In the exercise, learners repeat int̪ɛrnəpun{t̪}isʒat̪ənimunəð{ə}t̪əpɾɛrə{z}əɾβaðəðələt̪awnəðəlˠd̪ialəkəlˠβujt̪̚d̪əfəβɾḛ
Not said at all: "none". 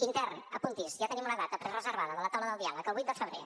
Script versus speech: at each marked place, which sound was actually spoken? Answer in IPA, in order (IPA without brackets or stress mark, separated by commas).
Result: t̪, a, z